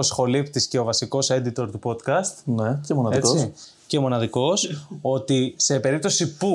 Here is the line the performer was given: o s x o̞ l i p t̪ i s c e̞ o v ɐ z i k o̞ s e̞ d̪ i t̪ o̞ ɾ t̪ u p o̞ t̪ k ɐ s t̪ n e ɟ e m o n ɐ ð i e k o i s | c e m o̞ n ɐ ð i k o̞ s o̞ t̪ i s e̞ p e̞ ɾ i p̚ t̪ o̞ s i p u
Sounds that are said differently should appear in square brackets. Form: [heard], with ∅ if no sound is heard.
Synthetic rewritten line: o s x o̞ l i p t̪ i s c e̞ o v ɐ [s] i k o̞ s e̞ d̪ i t̪ o̞ ɾ t̪ u p o̞ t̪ k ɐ s t̪ n e [c] e m o n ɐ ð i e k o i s | c e m o̞ n ɐ ð i k o̞ s o̞ t̪ i s e̞ p e̞ ɾ i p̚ t̪ o̞ s i p u